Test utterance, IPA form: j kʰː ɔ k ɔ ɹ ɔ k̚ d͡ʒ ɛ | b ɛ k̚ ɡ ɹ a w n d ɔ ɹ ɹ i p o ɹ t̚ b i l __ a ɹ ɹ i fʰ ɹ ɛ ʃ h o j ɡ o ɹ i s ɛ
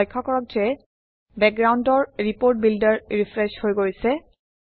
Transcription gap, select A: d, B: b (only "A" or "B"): A